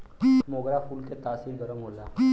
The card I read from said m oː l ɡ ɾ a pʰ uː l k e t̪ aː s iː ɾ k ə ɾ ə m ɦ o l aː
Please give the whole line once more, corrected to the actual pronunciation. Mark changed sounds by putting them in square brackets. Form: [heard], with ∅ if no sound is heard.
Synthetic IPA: m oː [∅] ɡ ɾ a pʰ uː l k e t̪ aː s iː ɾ [ɡ] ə ɾ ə m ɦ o l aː